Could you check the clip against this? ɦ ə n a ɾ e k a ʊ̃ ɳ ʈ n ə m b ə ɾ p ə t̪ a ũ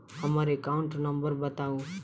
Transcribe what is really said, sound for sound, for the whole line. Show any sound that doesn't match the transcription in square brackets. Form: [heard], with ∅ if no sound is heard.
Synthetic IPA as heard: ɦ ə [m] a ɾ e k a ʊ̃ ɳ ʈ n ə m b ə ɾ [b] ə t̪ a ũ